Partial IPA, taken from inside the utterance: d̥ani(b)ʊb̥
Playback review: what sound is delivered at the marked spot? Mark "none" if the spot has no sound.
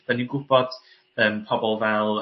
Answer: ɡ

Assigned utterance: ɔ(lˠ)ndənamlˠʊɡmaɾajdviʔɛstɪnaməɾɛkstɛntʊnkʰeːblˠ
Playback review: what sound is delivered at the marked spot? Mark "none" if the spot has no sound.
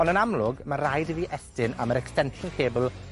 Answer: none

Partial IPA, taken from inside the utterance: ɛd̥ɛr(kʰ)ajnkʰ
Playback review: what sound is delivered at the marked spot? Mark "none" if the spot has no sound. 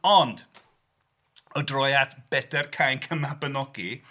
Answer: kʰ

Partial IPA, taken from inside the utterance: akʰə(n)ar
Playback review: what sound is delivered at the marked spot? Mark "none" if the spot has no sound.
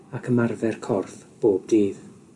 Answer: m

